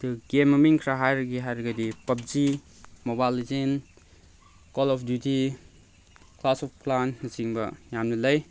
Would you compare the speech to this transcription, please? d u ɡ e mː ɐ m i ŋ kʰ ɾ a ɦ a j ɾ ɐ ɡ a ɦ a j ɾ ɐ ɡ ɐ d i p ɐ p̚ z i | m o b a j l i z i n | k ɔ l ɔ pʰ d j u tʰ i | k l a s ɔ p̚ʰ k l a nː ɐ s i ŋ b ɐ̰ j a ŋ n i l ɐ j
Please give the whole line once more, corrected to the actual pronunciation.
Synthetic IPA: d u ɡ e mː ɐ m i ŋ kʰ ɾ a ɦ a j ɾ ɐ ɡ i ɦ a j ɾ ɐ ɡ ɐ d i p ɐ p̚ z i | m o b a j l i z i n | k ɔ l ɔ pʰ d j u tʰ i | k l a s ɔ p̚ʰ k l a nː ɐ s i ŋ b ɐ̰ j a m n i l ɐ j